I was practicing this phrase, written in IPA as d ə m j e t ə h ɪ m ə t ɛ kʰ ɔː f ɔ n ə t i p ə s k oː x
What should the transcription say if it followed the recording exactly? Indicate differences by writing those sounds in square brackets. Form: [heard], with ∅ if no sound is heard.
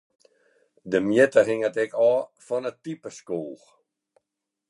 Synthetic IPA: d ə m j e t ə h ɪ [ŋ] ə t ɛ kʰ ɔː f ɔ n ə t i p ə s k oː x